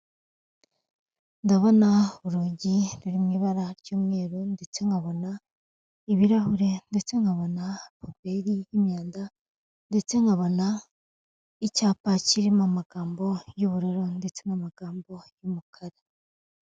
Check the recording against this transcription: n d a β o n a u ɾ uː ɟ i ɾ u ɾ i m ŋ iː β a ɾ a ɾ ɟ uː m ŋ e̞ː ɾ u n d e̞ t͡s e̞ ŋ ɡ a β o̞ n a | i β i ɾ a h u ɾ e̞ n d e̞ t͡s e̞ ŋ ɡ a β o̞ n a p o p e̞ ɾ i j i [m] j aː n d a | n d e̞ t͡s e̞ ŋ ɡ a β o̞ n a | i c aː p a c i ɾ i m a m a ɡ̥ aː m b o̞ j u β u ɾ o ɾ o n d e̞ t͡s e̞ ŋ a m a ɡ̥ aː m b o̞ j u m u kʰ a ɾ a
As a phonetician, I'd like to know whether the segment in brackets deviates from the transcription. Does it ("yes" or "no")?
no